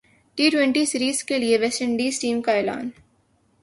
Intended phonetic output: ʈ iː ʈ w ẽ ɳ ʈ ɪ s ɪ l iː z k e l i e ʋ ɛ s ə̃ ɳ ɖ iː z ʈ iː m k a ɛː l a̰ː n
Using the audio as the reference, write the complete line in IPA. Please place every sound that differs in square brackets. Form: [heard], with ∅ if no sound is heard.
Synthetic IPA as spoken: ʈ iː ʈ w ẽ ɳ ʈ [i] s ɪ [ɾ] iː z k e l i e ʋ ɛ s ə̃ ɳ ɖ iː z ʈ iː m k a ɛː l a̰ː n